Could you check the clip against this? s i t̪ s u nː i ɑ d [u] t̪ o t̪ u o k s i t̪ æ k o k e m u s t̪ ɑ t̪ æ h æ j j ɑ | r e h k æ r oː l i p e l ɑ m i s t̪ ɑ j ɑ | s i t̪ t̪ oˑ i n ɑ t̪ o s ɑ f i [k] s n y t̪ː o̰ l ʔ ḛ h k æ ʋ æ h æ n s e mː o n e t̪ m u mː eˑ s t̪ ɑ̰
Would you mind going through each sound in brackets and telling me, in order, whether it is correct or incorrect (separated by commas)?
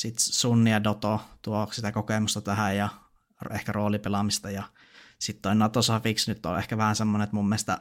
incorrect, correct